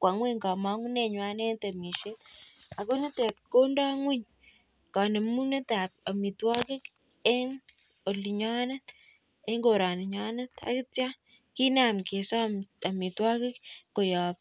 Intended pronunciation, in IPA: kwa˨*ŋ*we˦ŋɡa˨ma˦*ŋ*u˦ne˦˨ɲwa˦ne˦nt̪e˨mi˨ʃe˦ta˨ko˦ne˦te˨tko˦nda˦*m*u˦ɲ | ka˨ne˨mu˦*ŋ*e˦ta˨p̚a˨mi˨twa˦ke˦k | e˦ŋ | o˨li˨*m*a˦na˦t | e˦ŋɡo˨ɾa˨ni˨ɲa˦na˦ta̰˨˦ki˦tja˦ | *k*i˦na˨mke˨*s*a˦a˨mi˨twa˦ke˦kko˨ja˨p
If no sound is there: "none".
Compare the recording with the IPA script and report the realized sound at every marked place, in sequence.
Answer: ŋ, ŋ, ŋ, n, ɲ, k, s

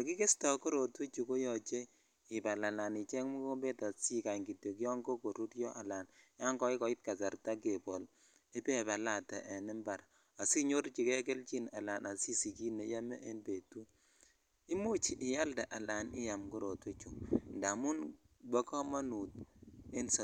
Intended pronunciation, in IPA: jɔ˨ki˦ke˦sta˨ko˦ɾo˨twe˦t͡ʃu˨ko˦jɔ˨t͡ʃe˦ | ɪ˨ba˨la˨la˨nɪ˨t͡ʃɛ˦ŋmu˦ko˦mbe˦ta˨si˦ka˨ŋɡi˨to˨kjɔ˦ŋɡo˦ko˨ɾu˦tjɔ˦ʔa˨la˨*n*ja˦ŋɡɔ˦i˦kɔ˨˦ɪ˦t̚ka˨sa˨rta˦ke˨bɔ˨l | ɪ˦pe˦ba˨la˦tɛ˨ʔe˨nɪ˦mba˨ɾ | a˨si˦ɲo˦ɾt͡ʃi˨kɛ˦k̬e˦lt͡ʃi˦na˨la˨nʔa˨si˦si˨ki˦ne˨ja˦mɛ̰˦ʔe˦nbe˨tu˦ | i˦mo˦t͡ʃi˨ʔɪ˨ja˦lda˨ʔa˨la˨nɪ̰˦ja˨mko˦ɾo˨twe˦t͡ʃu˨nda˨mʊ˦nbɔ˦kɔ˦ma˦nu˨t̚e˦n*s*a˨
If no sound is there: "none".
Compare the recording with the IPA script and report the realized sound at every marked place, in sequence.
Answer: n, s

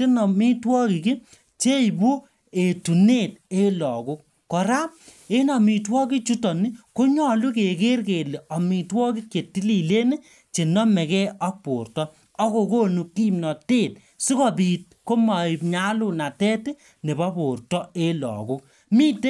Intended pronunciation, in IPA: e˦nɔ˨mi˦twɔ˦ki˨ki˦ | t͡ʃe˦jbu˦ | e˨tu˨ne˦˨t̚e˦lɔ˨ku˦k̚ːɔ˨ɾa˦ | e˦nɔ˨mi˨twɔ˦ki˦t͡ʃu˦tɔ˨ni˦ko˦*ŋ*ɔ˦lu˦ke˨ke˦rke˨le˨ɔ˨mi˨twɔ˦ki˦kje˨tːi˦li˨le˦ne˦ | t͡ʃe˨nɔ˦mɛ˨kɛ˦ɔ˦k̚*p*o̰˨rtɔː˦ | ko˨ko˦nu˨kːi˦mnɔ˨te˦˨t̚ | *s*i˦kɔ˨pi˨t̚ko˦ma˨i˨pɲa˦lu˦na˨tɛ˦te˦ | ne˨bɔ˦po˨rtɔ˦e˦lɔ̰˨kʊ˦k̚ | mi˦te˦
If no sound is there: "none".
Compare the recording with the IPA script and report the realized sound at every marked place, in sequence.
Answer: ɲ, p, s

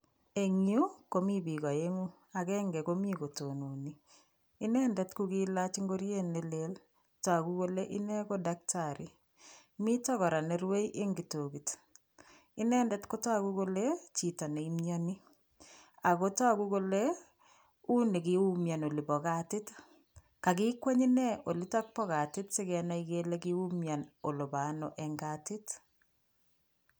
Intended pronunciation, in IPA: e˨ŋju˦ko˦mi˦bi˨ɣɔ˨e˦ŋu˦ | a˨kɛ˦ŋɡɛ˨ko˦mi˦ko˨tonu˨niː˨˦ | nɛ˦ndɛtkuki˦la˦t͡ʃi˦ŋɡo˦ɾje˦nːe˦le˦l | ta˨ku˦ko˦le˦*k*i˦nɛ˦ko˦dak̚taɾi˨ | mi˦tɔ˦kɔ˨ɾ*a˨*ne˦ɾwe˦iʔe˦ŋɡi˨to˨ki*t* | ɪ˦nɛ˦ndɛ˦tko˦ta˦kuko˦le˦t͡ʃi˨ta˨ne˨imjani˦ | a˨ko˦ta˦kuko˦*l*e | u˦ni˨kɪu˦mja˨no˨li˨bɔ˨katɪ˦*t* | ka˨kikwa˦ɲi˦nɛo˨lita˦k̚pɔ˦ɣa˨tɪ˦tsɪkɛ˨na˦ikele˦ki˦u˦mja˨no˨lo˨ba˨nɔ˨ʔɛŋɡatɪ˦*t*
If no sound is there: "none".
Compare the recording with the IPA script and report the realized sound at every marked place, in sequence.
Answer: ʔ, a˨, t, l, t, t

